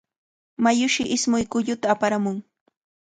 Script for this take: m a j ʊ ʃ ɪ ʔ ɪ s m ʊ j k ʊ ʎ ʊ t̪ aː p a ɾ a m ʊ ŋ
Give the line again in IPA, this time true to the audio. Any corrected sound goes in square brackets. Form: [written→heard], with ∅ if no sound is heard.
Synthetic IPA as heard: m a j ʊ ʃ ɪ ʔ ɪ s m ʊ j k ʊ ʎ ʊ t̪ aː p a ɾ a m ʊ ŋ